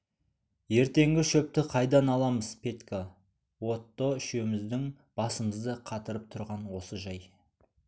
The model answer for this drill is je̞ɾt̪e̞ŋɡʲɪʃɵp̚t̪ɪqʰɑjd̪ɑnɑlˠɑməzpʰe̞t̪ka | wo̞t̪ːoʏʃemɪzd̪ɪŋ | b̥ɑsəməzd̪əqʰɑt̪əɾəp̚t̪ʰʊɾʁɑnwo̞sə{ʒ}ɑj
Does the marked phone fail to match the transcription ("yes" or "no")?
no